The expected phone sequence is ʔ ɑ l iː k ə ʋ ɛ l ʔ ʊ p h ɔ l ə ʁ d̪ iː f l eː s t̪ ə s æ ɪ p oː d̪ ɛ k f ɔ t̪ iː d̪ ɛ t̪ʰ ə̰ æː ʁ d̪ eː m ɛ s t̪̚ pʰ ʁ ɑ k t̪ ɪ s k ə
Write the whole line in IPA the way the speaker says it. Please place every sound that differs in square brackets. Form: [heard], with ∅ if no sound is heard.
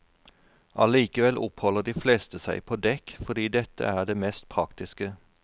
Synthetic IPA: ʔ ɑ l iː k ə ʋ ɛ l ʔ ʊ p h ɔ l ə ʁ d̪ iː f l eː s t̪ ə s æ ɪ [pʰ] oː d̪ ɛ k f ɔ [d̪] iː d̪ ɛ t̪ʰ ə̰ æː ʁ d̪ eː m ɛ s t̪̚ pʰ ʁ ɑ k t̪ ɪ s k ə